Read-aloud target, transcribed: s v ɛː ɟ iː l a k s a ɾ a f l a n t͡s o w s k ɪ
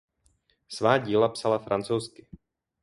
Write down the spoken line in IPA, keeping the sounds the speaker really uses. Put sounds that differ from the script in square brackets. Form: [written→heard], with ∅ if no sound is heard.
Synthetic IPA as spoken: s v [ɛː→aː] ɟ iː l a [k→p] s a [ɾ→l] a f [l→ɾ] a n t͡s o w s k ɪ